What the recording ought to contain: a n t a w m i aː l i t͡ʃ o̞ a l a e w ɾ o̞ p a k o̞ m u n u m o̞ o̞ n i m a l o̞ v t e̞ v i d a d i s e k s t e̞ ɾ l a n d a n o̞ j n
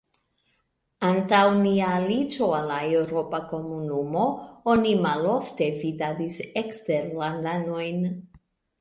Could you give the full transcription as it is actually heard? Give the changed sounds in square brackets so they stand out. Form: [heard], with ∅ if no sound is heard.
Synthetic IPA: a n t a w [n] i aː l i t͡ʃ o̞ a l a e w ɾ o̞ p a k o̞ m u n u m o̞ o̞ n i m a l o̞ [f] t e̞ v i d a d i s e k s t e̞ ɾ l a n d a n o̞ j n